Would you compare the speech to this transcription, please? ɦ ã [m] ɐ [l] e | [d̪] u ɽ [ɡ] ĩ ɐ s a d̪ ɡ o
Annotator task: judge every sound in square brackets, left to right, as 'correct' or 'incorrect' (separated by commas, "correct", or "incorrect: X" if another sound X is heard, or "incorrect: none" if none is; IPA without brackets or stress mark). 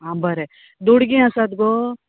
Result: incorrect: b, incorrect: ɾ, correct, correct